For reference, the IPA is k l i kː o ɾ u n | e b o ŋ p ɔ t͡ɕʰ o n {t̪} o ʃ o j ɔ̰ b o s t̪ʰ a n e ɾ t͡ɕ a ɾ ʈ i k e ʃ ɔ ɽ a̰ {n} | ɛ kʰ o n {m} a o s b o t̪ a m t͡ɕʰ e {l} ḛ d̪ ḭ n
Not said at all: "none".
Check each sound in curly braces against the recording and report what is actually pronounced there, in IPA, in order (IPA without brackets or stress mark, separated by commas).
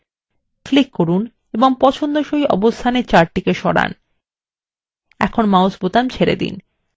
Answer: d̪, n, m, ɾ